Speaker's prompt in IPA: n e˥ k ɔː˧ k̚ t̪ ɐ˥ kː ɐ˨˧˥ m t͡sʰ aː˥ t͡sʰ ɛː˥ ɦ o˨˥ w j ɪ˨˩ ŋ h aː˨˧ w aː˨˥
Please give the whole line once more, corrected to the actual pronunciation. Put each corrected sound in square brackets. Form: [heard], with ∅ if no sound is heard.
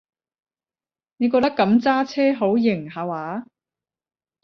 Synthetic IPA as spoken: n [e˨˧] k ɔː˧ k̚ t̪ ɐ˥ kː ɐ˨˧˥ m [t͡s] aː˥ t͡sʰ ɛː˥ ɦ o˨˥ w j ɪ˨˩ ŋ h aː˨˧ w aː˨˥